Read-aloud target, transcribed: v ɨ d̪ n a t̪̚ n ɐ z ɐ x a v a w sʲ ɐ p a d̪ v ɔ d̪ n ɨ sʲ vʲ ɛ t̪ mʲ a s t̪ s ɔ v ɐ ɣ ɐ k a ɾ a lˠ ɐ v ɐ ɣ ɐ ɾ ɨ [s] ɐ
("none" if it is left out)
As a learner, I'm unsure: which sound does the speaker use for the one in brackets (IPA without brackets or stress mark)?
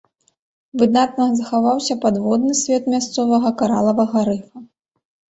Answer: f